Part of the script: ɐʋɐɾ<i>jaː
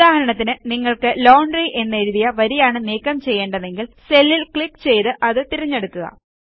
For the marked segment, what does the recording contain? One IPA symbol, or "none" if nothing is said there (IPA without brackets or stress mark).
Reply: i